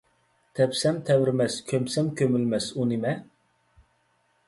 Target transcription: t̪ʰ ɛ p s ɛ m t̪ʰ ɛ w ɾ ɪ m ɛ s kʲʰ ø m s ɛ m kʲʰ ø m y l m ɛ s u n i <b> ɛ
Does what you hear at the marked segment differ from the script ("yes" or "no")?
yes